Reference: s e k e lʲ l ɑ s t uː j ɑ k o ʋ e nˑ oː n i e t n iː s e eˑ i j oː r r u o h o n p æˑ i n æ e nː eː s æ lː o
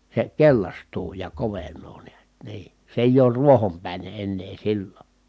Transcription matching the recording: s e k e lʲ l ɑ s t uː j ɑ k o ʋ e nˑ oː n i æ t n iː s e eˑ i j oː r r u o h o m p æˑ i n e e nː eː s i lː o